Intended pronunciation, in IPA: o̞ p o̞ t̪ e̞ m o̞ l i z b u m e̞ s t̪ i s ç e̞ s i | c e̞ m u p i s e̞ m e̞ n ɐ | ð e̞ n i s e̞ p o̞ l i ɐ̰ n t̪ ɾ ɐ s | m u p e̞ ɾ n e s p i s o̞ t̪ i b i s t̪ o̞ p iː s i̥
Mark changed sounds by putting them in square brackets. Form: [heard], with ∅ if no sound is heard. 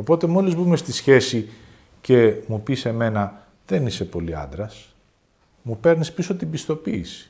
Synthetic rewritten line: o̞ p o̞ t̪ e̞ m o̞ l i z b u m e̞ s t̪ i s ç e̞ s i | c e̞ m u p i s e̞ m e̞ n ɐ | ð e̞ n i s e̞ p o̞ l i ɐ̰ n [d̪] ɾ ɐ s | m u p e̞ ɾ n [i] s p i s o̞ t̪ i b i s t̪ o̞ p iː s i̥